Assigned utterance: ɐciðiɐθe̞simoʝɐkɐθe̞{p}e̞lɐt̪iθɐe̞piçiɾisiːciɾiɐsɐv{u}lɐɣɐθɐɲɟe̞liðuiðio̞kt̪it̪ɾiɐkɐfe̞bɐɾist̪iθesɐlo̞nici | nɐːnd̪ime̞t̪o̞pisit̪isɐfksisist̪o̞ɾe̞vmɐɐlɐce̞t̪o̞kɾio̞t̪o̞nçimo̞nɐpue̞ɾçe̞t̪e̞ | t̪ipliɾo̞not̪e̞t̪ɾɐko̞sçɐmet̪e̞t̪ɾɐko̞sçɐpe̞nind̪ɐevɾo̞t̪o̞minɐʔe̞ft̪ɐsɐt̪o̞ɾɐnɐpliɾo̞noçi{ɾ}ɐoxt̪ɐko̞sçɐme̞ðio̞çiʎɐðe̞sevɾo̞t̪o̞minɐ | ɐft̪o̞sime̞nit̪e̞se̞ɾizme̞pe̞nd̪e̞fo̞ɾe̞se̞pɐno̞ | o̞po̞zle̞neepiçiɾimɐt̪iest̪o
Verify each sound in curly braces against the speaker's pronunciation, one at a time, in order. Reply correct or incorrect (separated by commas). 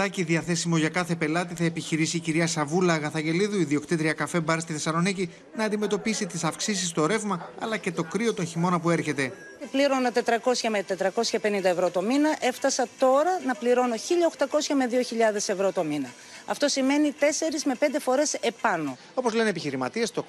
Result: correct, correct, incorrect